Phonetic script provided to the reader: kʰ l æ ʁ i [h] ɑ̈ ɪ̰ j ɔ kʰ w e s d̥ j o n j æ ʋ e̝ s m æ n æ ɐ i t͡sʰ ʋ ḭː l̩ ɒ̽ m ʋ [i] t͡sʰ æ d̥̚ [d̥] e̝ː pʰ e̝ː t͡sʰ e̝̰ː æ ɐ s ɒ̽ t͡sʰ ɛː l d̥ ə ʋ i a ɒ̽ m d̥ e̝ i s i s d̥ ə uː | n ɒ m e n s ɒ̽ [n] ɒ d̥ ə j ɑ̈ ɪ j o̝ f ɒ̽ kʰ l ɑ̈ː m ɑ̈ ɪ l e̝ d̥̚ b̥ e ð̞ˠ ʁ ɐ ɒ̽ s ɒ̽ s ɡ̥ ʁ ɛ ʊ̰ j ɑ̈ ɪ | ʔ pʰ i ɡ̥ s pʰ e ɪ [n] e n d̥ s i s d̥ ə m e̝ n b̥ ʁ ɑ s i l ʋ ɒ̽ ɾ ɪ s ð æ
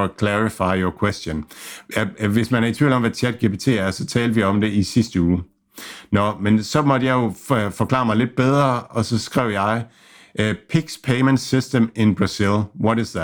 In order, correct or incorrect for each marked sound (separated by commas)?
incorrect, incorrect, incorrect, incorrect, incorrect